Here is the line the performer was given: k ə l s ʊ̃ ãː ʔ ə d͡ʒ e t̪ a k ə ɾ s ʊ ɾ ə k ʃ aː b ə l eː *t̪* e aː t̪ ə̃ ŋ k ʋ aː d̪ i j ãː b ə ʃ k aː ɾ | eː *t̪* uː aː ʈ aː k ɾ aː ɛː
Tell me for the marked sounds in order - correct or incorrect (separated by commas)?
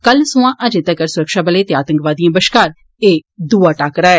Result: correct, incorrect